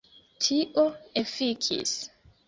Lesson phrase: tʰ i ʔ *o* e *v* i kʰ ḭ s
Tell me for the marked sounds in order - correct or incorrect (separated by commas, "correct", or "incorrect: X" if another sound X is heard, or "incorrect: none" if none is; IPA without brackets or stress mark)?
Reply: correct, incorrect: f